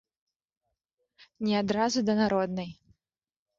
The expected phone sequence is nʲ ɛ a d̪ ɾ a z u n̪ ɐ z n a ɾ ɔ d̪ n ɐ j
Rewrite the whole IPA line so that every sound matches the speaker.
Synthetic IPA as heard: nʲ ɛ a d̪ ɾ a z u d̪ ɐ n a ɾ ɔ d̪ n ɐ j